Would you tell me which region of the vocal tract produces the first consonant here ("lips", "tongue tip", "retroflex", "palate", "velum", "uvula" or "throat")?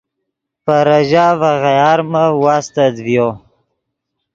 lips